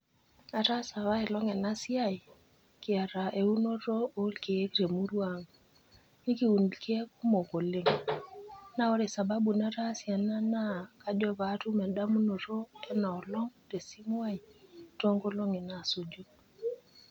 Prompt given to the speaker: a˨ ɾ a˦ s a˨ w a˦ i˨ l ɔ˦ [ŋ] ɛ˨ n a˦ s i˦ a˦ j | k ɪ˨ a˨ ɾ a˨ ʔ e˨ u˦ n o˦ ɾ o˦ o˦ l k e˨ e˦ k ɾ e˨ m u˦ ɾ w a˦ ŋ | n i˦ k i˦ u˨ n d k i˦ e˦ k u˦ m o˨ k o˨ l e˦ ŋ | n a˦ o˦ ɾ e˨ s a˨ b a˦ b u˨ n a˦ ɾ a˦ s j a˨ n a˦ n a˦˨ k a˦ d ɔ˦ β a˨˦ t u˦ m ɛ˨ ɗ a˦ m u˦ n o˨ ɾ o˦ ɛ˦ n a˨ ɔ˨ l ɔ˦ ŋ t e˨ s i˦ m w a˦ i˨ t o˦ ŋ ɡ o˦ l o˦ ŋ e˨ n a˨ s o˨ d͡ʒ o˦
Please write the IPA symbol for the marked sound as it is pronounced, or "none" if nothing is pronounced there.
ŋ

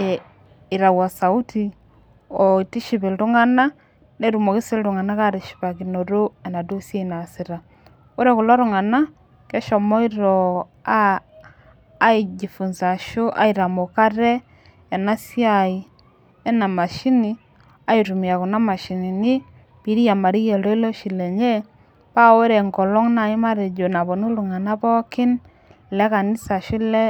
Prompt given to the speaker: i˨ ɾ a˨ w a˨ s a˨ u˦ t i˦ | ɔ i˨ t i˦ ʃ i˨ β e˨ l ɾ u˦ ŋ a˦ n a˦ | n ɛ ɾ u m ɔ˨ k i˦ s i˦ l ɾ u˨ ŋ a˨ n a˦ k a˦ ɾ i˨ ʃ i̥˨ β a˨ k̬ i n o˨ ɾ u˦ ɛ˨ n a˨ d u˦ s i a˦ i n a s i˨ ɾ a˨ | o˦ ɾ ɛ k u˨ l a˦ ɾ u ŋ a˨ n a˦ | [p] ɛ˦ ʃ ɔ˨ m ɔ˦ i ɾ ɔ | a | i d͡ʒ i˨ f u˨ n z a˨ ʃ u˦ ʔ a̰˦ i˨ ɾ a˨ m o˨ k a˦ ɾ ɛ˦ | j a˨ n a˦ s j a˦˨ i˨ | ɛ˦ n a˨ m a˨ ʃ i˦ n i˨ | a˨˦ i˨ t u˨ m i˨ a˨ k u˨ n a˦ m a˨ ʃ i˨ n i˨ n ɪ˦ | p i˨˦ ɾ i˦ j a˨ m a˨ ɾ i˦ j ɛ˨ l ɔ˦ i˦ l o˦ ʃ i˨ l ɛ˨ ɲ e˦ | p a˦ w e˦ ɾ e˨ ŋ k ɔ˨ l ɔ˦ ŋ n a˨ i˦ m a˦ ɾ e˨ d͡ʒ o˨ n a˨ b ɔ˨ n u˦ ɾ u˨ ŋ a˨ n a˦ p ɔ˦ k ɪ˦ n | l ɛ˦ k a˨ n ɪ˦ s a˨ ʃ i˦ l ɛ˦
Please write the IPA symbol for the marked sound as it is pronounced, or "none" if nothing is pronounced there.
k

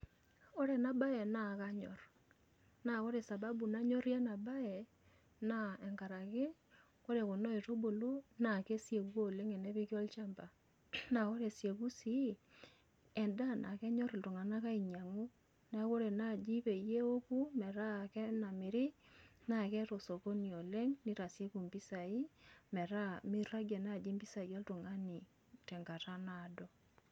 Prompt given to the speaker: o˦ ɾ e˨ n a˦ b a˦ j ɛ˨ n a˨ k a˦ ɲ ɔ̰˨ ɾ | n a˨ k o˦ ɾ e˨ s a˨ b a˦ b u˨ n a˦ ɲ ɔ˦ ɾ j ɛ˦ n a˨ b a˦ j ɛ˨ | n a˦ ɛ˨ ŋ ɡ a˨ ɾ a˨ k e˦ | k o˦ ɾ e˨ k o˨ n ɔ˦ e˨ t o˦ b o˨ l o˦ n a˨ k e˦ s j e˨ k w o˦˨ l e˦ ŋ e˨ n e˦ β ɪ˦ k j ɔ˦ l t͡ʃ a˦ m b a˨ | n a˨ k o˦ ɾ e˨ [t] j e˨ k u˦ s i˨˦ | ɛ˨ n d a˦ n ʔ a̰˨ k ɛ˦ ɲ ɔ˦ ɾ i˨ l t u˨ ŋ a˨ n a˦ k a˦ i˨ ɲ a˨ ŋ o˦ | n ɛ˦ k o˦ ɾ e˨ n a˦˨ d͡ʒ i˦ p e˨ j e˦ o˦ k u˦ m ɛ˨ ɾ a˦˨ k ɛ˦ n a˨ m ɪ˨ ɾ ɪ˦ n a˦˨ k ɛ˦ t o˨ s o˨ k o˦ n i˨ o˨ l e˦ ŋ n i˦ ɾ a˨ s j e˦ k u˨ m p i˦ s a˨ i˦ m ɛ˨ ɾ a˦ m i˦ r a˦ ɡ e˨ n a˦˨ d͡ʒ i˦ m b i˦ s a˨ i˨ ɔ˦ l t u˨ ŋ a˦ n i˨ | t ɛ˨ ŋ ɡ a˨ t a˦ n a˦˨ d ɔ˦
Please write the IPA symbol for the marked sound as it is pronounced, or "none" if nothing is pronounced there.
s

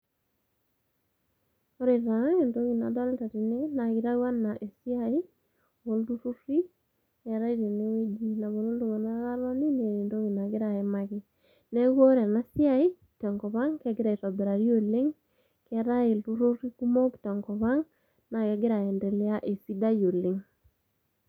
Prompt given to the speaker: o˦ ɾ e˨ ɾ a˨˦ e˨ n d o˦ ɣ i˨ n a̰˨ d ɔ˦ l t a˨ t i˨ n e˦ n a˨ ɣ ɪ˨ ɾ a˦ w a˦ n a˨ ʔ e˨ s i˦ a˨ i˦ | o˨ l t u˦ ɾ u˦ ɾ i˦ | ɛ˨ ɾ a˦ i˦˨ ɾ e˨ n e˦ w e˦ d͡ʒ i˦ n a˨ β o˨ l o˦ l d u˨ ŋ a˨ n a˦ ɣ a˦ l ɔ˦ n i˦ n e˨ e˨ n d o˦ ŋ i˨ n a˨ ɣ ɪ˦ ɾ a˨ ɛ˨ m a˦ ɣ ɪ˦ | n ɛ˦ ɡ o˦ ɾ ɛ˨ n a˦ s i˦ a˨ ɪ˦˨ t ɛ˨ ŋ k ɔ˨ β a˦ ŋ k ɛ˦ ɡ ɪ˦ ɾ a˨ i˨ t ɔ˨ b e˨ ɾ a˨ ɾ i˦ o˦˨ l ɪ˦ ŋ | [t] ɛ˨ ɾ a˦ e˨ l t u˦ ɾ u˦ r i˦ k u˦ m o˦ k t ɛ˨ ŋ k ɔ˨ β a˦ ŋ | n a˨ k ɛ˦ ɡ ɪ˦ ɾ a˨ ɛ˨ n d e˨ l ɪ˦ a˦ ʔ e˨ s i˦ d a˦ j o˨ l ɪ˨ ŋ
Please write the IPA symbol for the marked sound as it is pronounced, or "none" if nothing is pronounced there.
k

